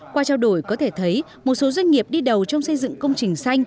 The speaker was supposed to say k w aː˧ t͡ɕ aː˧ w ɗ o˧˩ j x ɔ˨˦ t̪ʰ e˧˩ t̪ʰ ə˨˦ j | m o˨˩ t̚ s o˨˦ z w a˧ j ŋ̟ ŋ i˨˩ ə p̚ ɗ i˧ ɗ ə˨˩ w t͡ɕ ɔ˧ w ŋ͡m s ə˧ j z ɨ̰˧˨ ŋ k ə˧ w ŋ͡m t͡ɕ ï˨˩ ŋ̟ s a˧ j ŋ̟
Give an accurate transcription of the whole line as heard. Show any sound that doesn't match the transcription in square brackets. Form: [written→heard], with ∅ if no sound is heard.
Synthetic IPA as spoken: k w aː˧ t͡ɕ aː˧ w ɗ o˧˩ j [x→k] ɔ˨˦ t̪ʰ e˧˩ t̪ʰ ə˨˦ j | m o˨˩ t̚ s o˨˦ z w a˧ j ŋ̟ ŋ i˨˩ ə p̚ ɗ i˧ ɗ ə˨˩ w t͡ɕ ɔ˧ w ŋ͡m s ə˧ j z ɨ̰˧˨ ŋ k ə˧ w ŋ͡m t͡ɕ ï˨˩ ŋ̟ s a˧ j ŋ̟